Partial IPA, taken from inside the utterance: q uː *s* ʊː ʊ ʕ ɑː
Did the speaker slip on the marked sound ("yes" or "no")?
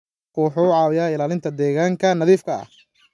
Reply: yes